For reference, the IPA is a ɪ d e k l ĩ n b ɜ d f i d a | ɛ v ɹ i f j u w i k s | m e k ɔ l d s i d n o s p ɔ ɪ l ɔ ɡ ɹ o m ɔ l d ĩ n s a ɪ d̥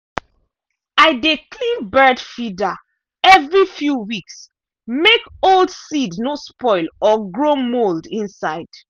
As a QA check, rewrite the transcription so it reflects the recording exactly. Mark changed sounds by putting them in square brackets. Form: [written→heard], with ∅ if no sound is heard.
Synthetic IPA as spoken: a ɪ d e k l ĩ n b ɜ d f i d a | ɛ v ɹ i f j u w i k s | m e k [ɔ→o] l d s i d n o s p ɔ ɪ l ɔ ɡ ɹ o m [ɔ→o] l d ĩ n s a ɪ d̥